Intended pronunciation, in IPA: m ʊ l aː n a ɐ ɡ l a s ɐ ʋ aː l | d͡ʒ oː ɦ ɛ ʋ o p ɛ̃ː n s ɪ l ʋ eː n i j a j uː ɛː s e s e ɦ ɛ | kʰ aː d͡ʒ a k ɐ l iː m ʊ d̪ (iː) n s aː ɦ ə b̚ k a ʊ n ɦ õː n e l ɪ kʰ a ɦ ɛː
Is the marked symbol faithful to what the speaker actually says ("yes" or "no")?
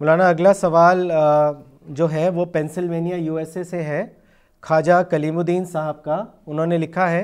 yes